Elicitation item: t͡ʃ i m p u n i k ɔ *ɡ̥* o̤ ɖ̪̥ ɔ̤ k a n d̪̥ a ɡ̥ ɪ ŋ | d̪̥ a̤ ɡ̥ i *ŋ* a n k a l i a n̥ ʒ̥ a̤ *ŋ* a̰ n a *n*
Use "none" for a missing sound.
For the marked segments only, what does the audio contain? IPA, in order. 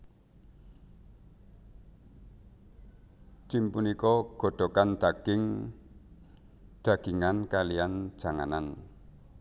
ɡ̥, ŋ, ŋ, n

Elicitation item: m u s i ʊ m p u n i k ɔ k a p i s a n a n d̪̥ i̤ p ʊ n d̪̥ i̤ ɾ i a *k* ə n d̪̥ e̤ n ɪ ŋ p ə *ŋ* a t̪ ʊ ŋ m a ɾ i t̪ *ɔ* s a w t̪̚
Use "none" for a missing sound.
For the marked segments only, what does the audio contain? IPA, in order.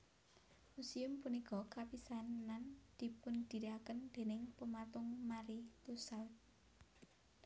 k, m, u

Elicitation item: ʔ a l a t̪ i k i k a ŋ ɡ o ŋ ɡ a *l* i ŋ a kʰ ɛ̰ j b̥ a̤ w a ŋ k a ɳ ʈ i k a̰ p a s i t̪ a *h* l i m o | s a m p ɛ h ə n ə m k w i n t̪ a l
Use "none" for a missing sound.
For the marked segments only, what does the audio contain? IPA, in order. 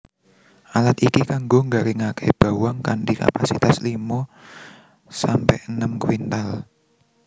ɾ, s

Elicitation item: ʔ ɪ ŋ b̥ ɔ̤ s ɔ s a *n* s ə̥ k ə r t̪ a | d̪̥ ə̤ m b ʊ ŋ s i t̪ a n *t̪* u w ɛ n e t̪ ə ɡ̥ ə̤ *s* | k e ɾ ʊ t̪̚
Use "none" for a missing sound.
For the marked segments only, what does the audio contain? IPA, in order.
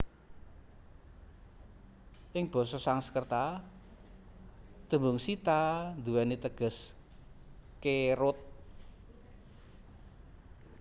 ŋ, d̪, s

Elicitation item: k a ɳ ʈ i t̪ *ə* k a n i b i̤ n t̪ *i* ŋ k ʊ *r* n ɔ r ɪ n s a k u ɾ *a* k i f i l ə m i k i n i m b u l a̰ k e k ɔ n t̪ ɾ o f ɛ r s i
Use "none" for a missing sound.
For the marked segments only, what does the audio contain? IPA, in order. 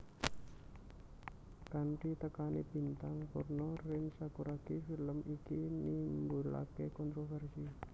ə, a, r, a

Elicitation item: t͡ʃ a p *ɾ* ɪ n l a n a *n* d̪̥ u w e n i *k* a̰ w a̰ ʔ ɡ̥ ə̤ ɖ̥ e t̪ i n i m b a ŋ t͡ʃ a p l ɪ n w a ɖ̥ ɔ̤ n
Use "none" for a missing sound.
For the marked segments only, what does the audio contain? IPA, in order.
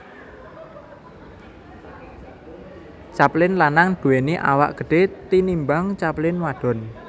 l, ŋ, ʔ

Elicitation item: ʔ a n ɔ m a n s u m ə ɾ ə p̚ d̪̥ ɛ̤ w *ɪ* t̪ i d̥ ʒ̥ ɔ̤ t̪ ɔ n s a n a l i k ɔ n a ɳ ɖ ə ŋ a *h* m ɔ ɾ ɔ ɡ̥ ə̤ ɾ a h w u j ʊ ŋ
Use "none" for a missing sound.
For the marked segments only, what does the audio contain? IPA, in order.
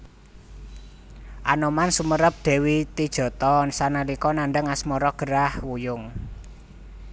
i, s

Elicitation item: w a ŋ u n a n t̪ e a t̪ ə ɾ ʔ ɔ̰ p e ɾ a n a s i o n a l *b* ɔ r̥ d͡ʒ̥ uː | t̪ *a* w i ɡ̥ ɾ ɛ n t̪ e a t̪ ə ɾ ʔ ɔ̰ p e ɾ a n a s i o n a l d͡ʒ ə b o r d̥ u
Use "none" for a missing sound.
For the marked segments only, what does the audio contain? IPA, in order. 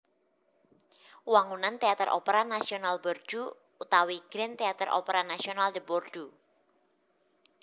b, a

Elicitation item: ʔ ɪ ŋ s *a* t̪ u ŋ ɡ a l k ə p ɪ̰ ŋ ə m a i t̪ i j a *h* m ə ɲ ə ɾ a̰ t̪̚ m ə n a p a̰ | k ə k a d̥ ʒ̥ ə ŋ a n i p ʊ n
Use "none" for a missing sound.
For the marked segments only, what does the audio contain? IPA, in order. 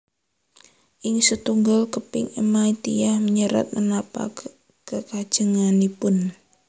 ə, h

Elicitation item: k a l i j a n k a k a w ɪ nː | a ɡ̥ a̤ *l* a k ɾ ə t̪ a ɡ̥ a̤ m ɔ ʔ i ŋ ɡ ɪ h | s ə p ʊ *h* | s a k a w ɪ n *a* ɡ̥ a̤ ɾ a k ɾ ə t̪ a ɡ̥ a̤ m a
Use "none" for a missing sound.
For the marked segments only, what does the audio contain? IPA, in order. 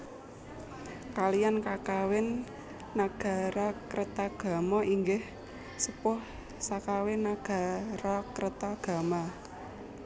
ɾ, h, a

